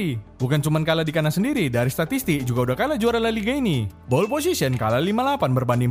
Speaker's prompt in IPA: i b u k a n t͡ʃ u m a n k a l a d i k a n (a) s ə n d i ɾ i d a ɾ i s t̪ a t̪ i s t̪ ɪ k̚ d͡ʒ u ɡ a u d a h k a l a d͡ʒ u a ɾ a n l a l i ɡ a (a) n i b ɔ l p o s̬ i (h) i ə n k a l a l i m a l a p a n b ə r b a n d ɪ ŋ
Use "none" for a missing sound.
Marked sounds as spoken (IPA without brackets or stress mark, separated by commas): a, i, s